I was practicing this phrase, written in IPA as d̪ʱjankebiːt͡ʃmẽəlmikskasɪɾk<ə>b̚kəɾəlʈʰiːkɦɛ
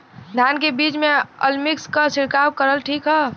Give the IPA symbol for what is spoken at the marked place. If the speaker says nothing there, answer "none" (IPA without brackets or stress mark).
a